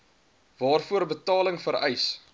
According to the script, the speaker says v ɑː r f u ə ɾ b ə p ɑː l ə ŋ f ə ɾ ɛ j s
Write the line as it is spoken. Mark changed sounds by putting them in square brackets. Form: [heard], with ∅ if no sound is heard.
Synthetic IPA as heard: v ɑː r f u ə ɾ b ə [t] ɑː l ə ŋ f ə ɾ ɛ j s